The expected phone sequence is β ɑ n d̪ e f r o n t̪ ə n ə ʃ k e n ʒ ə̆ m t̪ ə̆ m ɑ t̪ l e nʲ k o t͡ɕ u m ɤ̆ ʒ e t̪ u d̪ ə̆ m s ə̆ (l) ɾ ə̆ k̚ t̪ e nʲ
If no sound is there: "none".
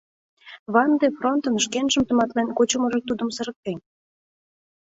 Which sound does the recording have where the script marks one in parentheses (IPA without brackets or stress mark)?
none